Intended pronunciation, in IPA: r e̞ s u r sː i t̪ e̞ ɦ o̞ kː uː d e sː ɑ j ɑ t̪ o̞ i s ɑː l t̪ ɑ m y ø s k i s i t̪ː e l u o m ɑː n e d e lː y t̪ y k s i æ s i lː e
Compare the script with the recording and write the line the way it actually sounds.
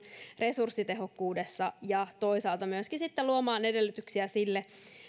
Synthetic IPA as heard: r e̞ s u r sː i t̪ e̞ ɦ o̞ kː uː d e sː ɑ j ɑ t̪ o̞ i s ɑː l t̪ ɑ m y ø s k i s i t̪ː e l u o m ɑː n e d e lː y t̪ y k s i æ s i lː e